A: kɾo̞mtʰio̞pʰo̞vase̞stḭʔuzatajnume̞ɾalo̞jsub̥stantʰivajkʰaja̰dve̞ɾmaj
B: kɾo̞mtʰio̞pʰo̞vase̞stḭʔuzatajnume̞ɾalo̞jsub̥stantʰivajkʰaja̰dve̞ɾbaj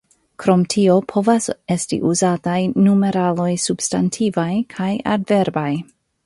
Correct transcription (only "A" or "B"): B